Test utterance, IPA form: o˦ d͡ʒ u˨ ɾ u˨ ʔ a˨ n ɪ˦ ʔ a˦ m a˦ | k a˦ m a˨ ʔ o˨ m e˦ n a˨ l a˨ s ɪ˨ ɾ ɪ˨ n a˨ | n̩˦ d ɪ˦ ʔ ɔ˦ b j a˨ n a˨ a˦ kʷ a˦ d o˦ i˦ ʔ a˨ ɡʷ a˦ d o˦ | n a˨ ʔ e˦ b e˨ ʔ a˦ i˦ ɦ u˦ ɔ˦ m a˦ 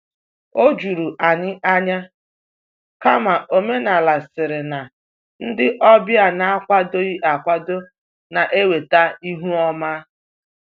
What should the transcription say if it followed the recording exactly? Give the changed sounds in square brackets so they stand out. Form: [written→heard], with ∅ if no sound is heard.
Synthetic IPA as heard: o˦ d͡ʒ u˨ ɾ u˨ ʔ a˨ [n→ɲ] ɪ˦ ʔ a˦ [m→ɲ] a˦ | k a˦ m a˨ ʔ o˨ m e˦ n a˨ l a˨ s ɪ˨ ɾ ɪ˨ n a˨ | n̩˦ d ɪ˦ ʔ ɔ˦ b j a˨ n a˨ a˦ kʷ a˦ d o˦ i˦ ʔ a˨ [ɡʷ→kʷ] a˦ d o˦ | n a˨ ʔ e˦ [b→w] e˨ [ʔ→t] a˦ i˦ ɦ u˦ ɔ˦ m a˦